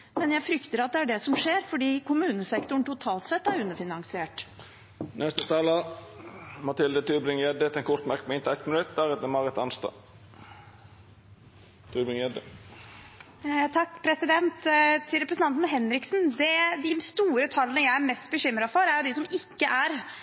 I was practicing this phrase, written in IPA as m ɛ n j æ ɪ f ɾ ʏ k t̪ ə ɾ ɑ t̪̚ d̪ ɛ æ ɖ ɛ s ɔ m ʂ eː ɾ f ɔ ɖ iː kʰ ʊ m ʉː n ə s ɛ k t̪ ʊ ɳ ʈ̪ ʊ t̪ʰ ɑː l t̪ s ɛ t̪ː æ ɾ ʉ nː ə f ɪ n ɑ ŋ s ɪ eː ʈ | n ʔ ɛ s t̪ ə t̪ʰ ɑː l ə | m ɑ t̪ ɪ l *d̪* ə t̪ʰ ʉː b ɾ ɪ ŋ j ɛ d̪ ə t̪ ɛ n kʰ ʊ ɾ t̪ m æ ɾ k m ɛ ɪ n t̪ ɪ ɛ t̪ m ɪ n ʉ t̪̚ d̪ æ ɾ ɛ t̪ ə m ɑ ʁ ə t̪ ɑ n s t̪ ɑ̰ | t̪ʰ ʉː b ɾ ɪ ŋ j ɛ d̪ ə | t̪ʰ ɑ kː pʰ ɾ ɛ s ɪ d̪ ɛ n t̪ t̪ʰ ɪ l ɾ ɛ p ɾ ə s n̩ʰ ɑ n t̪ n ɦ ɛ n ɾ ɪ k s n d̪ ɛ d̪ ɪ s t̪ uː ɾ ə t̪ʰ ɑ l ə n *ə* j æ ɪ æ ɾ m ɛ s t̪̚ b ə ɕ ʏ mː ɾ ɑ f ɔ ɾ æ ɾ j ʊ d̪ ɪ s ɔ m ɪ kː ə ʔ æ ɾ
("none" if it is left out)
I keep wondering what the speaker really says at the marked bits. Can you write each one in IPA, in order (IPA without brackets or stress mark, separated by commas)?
d̪, ə